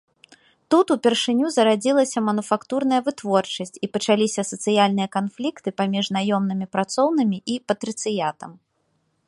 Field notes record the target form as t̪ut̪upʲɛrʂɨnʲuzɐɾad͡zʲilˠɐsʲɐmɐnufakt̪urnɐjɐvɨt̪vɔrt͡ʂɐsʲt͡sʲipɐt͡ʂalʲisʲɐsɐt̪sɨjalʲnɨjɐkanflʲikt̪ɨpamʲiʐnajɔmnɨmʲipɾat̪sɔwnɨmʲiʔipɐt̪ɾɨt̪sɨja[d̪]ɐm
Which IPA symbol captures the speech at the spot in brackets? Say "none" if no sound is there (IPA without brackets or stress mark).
t̪